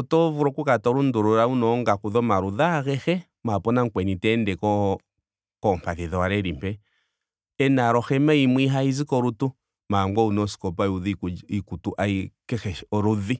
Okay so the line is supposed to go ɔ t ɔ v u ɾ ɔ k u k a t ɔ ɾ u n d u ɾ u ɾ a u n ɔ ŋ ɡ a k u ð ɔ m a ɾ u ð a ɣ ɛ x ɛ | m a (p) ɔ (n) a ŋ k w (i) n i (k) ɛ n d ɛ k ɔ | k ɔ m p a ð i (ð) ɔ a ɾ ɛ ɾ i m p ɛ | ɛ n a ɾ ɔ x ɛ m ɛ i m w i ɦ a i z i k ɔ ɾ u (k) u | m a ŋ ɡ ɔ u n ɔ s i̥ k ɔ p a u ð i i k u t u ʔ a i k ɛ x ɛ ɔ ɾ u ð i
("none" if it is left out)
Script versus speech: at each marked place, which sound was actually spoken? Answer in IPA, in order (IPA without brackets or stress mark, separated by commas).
p, n, ɛ, t, ð, t